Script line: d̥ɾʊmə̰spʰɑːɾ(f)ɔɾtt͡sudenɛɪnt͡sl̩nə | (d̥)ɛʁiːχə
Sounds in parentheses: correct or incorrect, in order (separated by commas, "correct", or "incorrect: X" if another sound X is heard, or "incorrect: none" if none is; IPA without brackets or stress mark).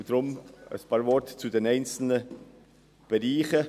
incorrect: v, incorrect: b̥